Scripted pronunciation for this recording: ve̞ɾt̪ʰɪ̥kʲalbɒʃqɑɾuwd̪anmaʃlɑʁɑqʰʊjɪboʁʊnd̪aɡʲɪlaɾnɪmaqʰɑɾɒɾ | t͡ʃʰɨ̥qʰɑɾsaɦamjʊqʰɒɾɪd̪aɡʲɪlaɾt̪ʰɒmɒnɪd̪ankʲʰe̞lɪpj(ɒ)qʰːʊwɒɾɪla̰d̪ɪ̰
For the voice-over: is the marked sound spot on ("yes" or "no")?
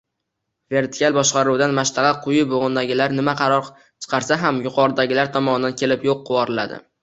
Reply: no